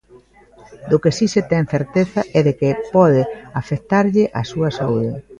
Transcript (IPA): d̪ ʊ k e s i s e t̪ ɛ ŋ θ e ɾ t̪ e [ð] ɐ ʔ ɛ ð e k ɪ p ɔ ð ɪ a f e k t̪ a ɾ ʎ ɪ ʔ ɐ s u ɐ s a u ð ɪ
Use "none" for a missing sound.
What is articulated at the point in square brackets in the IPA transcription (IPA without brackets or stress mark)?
θ